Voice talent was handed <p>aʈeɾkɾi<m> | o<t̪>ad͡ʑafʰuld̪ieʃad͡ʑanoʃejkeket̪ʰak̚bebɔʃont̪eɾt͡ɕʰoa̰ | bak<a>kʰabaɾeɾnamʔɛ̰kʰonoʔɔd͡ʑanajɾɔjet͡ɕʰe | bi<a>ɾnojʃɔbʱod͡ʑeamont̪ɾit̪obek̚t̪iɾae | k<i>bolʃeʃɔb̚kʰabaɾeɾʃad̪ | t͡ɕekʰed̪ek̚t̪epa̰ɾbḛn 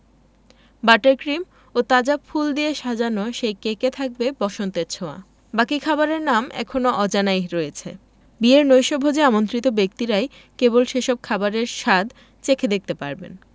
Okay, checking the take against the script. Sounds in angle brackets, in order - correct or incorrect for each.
incorrect, correct, correct, incorrect, incorrect, incorrect

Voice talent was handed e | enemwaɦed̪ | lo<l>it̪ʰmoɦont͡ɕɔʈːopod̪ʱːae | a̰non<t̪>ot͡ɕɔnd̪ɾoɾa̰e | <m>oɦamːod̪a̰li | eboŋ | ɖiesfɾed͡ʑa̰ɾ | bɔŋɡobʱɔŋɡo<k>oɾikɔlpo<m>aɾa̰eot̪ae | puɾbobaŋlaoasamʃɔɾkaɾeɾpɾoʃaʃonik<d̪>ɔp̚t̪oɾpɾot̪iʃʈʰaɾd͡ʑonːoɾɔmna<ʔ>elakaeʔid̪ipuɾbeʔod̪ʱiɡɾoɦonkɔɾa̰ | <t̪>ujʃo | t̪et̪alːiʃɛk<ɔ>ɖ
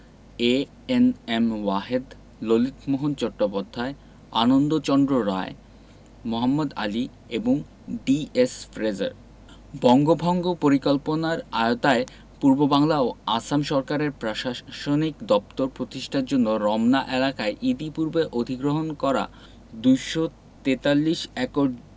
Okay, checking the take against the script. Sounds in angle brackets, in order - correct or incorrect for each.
correct, incorrect, correct, incorrect, incorrect, correct, correct, incorrect, incorrect

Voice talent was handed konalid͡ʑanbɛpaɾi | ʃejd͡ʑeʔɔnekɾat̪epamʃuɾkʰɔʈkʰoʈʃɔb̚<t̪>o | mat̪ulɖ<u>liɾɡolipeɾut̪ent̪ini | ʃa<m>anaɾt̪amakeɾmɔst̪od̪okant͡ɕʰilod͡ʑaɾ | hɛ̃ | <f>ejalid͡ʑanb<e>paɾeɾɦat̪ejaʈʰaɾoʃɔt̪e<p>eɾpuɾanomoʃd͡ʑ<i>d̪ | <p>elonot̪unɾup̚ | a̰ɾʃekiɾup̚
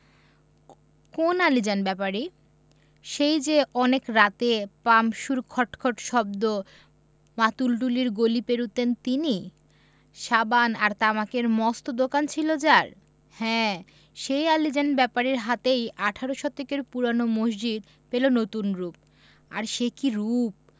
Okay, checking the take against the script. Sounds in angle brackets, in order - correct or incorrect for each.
incorrect, correct, incorrect, incorrect, incorrect, incorrect, correct, correct

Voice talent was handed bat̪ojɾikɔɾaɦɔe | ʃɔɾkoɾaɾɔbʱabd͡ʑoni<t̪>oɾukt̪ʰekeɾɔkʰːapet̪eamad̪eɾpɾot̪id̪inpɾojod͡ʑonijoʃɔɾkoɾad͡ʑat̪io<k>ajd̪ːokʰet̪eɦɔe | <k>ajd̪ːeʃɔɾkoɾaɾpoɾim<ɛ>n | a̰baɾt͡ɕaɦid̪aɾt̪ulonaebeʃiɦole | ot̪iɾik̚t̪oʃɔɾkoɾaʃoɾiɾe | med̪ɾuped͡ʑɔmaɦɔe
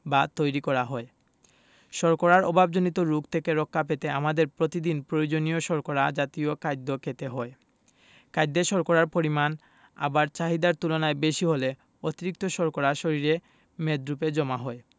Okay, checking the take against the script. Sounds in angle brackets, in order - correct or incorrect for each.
correct, correct, correct, incorrect

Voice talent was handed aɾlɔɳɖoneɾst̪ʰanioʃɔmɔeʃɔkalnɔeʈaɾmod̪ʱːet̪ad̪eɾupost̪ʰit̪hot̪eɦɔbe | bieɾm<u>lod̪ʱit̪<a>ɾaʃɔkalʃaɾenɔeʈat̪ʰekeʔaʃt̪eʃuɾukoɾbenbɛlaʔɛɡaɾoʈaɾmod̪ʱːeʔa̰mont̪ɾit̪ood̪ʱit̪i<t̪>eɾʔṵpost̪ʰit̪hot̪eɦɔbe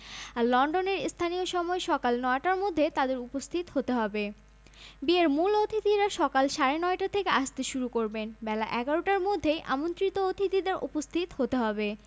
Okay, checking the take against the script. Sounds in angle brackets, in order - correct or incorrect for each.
correct, incorrect, incorrect

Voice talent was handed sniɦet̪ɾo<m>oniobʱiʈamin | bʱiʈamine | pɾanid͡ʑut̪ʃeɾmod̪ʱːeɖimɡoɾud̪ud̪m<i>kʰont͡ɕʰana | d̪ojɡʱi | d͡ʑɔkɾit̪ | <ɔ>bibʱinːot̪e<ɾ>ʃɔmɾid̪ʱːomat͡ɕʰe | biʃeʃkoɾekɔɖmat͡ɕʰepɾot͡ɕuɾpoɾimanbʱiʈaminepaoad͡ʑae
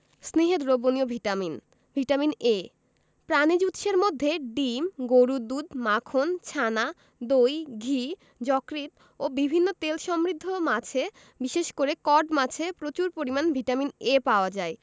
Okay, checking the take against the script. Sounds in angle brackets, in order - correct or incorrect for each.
incorrect, incorrect, incorrect, incorrect

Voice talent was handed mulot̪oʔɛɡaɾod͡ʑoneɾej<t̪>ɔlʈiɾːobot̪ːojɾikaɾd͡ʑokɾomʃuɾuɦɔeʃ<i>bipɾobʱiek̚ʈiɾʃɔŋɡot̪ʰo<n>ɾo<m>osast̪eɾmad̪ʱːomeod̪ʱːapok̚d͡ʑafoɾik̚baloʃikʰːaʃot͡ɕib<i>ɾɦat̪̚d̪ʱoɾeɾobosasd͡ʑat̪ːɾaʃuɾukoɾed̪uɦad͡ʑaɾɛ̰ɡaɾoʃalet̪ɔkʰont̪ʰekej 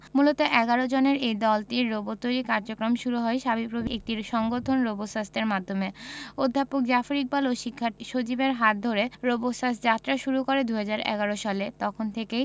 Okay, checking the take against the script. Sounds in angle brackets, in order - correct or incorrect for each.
incorrect, incorrect, correct, incorrect, incorrect

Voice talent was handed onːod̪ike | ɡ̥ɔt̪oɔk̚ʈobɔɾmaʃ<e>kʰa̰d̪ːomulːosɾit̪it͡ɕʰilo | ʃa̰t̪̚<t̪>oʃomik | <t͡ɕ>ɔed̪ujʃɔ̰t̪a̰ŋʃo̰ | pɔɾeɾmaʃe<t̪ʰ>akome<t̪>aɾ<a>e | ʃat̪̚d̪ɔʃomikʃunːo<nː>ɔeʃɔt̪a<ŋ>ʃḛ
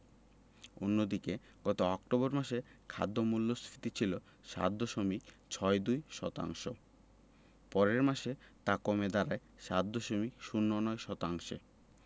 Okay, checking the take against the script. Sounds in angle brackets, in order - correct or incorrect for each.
correct, incorrect, incorrect, incorrect, incorrect, correct, incorrect, correct

